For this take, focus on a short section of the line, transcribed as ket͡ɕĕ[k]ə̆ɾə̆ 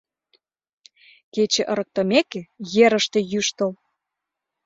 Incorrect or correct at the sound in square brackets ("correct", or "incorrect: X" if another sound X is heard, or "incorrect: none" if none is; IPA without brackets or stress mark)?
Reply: incorrect: ʔ